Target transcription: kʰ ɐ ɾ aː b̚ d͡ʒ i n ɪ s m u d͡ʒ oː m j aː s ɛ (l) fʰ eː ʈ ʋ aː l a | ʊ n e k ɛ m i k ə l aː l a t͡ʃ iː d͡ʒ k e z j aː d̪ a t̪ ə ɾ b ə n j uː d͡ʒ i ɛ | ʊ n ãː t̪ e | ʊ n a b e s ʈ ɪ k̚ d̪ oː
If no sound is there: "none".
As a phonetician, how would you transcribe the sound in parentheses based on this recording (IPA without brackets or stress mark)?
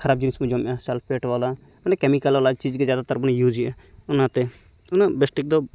l